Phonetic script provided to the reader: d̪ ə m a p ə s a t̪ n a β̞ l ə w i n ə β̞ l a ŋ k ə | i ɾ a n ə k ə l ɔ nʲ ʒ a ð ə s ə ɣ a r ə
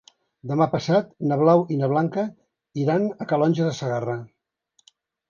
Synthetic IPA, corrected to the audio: d̪ ə m a p ə s a t̪ n ə β̞ l a w i n ə β̞ l a ŋ k ə | i ɾ a n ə k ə l ɔ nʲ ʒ ə ð ə s ə ɣ a r ə